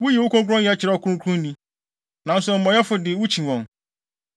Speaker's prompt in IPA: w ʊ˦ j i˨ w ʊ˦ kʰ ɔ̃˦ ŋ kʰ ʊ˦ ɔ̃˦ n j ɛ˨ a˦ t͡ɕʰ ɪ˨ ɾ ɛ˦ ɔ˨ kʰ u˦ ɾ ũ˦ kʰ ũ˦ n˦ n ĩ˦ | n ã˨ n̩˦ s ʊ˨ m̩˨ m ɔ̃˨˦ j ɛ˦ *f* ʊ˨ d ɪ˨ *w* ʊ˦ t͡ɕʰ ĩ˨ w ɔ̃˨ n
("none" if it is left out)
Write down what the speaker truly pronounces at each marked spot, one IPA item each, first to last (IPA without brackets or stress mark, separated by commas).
f, w